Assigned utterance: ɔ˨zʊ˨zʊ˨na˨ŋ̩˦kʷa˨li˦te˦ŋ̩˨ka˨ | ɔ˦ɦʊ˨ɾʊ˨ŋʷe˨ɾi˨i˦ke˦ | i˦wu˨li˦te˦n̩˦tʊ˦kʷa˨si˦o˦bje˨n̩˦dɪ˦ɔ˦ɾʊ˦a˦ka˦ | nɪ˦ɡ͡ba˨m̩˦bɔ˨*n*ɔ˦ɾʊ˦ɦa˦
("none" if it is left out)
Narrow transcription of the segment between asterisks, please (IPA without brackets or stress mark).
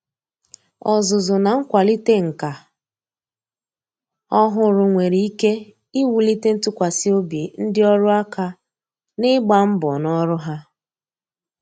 n